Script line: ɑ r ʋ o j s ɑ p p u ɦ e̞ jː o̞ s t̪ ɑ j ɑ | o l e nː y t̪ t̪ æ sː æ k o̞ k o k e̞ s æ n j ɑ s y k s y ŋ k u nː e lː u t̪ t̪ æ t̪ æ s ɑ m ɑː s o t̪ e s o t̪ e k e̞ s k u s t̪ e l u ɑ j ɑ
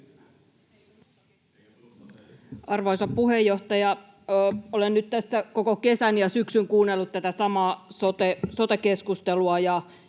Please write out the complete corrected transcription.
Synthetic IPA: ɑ r ʋ o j s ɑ p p u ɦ e̞ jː o̞ h t̪ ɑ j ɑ | o l e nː y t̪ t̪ æ sː æ k o̞ k o k e̞ s æ n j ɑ s y k s y ŋ k uː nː e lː u t̪ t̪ æ t̪ æ s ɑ m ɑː s o t̪ e s o t̪ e k e̞ s k u s t̪ e l u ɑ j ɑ